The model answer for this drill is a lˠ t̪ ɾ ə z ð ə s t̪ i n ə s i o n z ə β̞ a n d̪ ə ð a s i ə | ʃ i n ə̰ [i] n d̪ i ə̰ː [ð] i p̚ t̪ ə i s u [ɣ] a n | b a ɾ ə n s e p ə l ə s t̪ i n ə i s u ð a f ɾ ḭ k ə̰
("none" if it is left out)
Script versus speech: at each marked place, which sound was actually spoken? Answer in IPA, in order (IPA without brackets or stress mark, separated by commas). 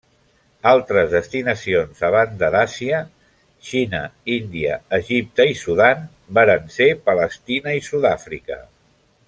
i, ʒ, ð